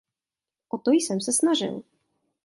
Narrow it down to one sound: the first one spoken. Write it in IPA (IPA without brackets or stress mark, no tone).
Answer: ʔ